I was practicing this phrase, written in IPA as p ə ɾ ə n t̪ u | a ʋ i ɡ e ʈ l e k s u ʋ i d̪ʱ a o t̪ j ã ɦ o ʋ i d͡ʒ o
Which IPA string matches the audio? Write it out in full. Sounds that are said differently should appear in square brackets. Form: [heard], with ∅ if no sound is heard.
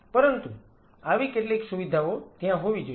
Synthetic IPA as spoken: p ə ɾ ə n t̪ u | a ʋ i [k] e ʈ l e k s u ʋ i d̪ʱ a o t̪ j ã ɦ o ʋ i d͡ʒ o